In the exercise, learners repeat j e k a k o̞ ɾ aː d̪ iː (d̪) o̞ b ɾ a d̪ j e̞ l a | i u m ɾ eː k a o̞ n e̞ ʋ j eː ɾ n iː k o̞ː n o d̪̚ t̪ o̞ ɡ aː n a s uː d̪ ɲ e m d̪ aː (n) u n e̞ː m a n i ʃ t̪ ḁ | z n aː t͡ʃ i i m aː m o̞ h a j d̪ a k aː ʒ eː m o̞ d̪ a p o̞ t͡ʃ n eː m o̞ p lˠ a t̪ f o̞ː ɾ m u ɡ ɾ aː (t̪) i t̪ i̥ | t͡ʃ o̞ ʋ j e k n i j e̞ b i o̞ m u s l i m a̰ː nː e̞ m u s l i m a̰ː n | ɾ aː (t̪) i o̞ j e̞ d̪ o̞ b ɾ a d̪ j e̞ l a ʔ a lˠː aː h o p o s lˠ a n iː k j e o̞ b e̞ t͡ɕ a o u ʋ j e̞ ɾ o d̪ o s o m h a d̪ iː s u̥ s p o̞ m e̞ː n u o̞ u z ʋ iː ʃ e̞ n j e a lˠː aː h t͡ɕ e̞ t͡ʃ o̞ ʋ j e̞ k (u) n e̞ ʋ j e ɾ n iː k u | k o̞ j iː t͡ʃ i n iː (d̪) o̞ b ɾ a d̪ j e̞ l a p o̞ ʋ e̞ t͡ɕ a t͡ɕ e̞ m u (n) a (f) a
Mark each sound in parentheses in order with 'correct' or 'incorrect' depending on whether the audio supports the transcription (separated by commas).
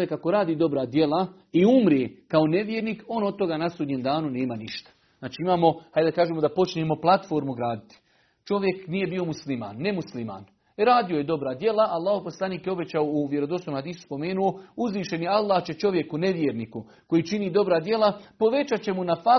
correct, correct, incorrect, incorrect, correct, correct, correct, correct